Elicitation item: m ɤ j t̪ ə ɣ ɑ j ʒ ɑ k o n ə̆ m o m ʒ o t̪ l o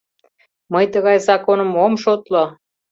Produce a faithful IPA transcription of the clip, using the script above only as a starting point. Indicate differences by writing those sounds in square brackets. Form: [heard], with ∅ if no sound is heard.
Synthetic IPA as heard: m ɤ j t̪ ə ɣ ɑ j [z] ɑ k o n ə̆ m o m [ʃ] o t̪ l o